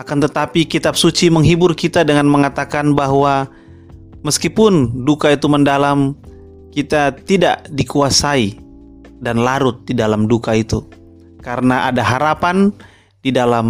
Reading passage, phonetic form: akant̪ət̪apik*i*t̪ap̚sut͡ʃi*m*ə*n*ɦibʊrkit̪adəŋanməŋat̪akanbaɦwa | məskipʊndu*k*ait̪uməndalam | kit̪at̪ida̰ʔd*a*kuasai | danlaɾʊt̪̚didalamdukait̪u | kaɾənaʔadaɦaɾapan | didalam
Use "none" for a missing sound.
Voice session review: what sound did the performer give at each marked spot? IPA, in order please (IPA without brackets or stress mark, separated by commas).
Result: i, m, ŋ, k, i